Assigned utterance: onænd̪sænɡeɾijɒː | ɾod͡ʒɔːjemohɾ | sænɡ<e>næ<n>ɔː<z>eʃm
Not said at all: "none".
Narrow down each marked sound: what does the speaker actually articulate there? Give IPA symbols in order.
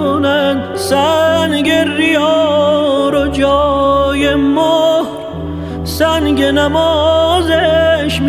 e, m, z

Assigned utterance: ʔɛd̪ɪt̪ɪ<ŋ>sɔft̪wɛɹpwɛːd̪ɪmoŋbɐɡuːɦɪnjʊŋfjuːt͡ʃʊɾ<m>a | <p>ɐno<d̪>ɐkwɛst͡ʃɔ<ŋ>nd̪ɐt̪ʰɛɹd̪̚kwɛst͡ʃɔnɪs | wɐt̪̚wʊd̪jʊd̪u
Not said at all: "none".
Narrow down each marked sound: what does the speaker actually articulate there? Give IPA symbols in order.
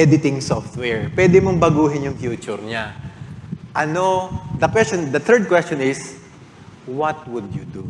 ŋ, ɲ, ʔ, d̪, none

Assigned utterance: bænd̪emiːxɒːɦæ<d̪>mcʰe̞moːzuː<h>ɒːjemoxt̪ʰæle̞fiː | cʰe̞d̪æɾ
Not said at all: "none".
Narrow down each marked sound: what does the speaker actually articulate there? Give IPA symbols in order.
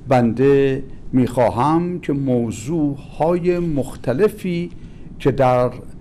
none, h

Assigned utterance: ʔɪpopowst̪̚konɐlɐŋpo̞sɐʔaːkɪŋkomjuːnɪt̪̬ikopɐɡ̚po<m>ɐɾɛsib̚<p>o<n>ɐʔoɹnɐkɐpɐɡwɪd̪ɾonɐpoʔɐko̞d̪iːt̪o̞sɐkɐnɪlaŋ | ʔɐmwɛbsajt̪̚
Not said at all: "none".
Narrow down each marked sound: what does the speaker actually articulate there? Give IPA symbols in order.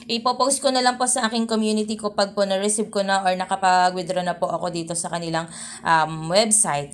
n, k, n

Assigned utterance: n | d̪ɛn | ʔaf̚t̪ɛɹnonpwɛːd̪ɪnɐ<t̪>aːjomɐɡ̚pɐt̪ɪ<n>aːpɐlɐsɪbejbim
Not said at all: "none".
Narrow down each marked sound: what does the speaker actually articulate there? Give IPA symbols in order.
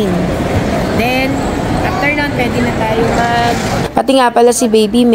t̪, ŋ

